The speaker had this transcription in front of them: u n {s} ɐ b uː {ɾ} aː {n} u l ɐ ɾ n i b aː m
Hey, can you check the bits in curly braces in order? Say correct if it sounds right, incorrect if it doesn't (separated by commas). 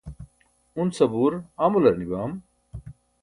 correct, correct, incorrect